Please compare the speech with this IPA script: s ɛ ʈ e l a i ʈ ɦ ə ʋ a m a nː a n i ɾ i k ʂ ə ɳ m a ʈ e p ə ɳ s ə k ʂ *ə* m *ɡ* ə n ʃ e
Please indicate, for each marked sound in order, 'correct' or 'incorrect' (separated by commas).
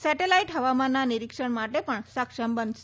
correct, incorrect